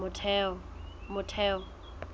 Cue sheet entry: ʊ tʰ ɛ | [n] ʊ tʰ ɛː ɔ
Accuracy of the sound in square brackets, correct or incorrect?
incorrect